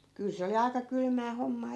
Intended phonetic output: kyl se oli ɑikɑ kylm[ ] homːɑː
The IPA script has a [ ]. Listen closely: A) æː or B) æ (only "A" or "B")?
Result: A